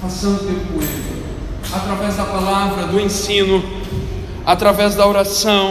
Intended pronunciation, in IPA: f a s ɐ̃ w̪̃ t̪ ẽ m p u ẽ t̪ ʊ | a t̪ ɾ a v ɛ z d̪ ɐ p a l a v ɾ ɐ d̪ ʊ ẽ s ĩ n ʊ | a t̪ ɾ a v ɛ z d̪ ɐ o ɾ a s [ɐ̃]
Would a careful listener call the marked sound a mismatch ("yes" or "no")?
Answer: no